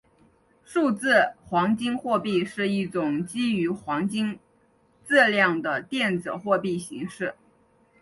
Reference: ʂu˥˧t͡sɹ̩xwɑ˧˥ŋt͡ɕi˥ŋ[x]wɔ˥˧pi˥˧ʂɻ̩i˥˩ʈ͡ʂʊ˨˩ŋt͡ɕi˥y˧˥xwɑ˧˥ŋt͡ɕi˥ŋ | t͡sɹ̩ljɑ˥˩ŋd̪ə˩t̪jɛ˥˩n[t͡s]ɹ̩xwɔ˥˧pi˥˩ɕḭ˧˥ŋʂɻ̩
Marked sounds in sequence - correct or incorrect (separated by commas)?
correct, correct